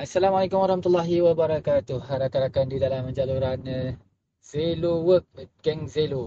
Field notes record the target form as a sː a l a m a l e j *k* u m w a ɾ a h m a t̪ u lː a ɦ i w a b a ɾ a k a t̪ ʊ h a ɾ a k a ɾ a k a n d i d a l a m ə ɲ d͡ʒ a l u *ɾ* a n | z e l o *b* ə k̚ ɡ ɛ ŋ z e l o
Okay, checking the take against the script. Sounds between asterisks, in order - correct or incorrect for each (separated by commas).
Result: correct, correct, incorrect